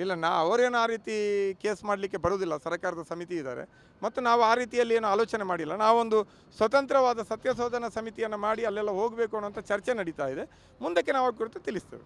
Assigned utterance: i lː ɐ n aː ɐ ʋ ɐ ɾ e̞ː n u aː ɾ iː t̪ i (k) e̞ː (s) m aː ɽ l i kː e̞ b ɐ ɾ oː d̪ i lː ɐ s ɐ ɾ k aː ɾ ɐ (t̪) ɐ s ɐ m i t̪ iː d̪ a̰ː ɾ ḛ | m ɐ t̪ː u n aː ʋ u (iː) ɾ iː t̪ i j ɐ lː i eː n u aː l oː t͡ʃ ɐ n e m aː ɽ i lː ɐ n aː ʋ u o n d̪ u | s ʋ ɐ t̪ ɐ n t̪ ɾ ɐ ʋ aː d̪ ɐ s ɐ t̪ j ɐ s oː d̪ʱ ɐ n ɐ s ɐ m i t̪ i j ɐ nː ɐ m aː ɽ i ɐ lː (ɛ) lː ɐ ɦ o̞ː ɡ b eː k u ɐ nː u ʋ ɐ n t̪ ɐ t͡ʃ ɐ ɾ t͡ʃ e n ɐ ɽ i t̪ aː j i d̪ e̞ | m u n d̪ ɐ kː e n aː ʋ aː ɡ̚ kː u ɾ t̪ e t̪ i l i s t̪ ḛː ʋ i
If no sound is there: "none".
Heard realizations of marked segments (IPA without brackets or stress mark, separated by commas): k, s, d̪, aː, ɛ